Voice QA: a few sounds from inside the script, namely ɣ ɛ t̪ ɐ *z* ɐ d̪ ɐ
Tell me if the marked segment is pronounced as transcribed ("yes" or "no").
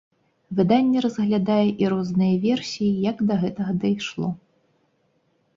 no